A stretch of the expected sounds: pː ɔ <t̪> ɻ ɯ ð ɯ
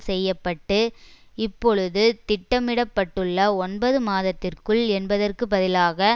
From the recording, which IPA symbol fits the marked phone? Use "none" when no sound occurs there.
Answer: none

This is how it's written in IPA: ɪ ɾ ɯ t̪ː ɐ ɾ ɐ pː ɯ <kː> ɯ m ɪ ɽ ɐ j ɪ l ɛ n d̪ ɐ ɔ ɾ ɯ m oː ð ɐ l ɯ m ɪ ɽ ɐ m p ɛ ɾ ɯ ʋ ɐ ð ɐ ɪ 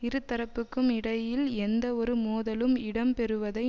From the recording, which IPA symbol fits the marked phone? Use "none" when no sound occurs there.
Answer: kː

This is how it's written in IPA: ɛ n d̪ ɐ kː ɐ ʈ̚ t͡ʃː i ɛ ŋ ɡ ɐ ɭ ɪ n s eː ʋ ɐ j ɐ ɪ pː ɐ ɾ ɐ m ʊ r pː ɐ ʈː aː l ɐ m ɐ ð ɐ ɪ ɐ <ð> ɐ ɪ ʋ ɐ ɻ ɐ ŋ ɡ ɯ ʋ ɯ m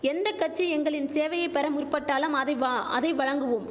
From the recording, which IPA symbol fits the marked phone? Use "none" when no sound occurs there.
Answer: ð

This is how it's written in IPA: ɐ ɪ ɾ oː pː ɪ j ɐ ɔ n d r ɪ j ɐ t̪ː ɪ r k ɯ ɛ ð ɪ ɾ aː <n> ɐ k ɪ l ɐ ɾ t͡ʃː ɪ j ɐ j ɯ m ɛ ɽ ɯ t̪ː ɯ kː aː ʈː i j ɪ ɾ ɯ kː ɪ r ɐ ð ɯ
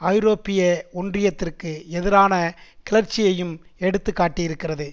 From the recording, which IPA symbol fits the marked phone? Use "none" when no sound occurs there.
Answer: n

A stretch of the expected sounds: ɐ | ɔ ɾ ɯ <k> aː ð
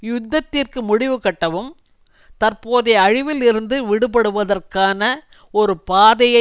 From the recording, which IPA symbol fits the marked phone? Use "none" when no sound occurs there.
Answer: p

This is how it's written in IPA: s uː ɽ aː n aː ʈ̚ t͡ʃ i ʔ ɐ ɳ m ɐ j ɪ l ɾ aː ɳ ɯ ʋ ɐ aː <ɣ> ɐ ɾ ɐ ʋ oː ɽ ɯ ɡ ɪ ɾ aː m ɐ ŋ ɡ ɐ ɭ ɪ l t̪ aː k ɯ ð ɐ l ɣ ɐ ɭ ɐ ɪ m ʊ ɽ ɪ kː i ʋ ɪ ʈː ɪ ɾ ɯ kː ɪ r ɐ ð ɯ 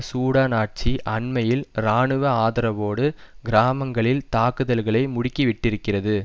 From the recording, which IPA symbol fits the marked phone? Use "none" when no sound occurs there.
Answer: ð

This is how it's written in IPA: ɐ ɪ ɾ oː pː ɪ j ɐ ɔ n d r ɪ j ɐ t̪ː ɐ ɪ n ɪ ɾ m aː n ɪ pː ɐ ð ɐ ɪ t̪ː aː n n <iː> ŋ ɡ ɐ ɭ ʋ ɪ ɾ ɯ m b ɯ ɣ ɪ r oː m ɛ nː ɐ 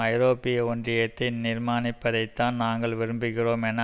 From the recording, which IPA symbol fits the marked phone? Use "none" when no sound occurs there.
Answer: aː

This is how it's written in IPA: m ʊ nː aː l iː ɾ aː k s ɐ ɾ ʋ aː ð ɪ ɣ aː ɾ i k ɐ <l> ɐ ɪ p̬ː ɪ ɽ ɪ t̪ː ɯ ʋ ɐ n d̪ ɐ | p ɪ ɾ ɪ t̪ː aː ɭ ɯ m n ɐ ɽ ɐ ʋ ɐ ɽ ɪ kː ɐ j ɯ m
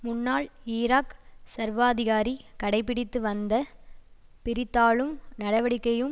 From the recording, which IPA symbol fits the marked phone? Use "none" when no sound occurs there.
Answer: ɽ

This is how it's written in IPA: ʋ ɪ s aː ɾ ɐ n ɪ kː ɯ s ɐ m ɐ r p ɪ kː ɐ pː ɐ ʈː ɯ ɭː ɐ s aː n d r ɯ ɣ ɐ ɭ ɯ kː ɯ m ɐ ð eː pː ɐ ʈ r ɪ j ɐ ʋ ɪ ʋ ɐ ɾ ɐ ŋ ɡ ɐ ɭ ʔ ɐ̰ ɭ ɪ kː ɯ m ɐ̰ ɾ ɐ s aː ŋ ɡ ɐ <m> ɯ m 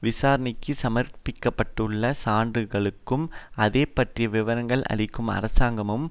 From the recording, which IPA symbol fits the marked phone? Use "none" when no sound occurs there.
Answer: m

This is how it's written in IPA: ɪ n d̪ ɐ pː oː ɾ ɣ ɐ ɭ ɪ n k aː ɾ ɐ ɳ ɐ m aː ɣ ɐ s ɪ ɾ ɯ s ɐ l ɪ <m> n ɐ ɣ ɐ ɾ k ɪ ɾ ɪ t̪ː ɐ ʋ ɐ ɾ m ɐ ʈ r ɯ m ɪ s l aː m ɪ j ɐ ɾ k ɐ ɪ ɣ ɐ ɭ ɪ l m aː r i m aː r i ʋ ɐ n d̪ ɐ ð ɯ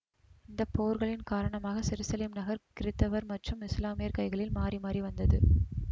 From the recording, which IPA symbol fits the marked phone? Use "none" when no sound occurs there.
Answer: m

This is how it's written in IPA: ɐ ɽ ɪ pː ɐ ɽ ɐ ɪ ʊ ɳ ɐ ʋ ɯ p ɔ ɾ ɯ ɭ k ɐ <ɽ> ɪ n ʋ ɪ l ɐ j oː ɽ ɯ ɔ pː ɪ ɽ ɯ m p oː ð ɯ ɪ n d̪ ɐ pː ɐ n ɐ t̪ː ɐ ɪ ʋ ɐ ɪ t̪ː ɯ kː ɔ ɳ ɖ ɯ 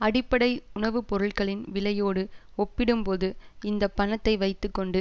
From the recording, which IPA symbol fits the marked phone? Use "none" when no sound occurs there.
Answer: ɭ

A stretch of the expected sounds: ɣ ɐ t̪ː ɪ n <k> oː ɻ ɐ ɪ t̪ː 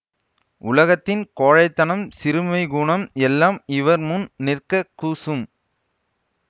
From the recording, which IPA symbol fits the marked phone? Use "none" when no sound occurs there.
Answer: k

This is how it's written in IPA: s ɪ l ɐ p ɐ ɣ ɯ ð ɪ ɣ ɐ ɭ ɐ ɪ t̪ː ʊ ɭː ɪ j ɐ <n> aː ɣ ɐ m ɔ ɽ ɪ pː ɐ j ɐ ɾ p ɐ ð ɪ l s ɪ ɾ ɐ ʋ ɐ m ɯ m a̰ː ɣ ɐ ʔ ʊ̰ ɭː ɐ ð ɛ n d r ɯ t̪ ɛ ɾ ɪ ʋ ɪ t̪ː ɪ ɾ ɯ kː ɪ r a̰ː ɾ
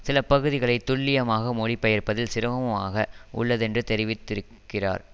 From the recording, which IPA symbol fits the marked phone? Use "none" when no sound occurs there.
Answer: m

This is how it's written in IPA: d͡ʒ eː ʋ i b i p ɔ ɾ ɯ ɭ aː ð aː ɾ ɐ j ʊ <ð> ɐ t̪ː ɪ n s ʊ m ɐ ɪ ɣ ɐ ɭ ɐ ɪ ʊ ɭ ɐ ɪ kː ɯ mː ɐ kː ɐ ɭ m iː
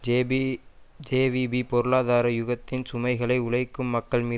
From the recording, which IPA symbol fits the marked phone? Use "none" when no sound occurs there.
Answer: ɣ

